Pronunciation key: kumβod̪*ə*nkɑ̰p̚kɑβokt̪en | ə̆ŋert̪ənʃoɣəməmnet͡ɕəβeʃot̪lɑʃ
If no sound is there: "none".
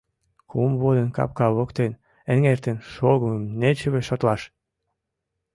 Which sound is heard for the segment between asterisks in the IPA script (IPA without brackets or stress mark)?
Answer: ə